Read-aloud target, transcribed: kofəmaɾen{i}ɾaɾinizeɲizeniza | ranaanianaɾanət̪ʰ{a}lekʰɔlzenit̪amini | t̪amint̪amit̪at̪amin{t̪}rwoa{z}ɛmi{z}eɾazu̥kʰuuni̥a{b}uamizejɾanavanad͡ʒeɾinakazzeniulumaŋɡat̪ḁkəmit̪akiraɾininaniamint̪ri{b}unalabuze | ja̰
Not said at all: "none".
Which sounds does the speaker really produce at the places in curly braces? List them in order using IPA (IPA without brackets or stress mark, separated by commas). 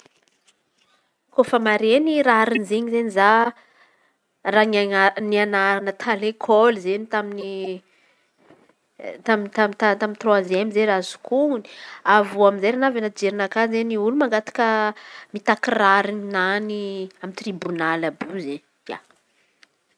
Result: i, a, t̪, z, z, v, b